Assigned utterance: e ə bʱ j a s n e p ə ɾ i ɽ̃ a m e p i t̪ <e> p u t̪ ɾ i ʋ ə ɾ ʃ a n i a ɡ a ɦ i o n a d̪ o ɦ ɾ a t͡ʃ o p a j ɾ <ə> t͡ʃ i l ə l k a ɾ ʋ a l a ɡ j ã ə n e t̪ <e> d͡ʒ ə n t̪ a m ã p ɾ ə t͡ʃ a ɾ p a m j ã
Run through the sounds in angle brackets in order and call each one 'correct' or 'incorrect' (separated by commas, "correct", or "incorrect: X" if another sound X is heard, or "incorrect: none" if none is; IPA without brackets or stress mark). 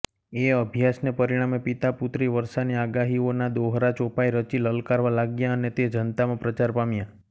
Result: incorrect: a, correct, correct